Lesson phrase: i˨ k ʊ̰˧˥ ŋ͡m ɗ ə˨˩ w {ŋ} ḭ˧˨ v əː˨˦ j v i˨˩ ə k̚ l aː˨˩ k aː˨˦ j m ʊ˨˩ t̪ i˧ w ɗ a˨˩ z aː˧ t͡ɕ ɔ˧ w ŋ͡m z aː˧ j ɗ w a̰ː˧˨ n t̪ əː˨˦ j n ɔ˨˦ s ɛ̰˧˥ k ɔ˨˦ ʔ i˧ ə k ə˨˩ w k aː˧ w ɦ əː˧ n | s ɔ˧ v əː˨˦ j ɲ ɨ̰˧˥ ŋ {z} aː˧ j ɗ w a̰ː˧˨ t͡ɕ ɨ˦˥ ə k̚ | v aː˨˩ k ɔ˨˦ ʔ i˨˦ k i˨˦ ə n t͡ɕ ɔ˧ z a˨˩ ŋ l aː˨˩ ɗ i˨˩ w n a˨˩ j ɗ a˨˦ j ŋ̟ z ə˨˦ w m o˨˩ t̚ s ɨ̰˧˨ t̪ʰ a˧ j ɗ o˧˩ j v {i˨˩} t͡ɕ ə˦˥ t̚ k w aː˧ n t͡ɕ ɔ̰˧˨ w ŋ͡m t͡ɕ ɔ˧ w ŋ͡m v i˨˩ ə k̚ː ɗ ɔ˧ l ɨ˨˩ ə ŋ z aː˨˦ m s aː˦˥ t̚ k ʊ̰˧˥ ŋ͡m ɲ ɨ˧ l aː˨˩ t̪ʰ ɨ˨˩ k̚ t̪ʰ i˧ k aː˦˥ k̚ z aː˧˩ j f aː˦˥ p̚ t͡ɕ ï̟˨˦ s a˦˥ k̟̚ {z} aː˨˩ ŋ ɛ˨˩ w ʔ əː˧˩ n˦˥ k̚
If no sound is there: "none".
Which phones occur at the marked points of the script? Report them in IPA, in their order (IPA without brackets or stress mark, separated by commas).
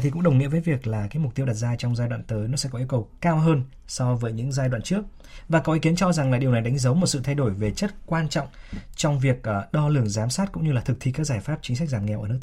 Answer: ŋ, z, e˨˩, z